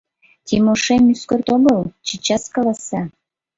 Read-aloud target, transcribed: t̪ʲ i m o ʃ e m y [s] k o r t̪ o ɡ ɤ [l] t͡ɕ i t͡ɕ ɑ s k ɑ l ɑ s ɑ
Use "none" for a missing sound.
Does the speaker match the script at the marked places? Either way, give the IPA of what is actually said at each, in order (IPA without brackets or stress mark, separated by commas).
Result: s, l